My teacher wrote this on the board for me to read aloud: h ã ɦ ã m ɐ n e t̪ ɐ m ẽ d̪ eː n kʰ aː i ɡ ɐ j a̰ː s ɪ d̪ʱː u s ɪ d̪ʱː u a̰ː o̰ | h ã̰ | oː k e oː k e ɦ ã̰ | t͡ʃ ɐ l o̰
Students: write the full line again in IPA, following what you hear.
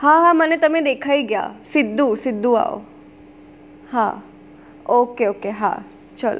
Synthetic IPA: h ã ɦ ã m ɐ n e t̪ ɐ m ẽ d̪ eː kʰ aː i ɡ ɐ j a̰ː s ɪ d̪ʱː u s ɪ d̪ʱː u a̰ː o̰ | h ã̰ | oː k e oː k e ɦ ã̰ | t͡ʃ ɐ l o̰